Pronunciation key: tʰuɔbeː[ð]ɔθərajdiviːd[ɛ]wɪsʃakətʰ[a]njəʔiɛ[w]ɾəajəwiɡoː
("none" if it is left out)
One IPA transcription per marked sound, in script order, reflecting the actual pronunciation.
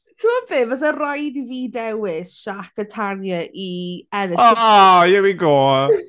v, ɛ, a, none

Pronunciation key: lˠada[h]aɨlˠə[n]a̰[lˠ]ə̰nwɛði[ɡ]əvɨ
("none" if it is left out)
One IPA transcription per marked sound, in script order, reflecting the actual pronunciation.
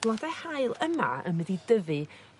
h, m, none, d

